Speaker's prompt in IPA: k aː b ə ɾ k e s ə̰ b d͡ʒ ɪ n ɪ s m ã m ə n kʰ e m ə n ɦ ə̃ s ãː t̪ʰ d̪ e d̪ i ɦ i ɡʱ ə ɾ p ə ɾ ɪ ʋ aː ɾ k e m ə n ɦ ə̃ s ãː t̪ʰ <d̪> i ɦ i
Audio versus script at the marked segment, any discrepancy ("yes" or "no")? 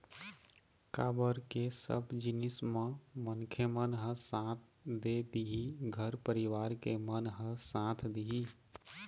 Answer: no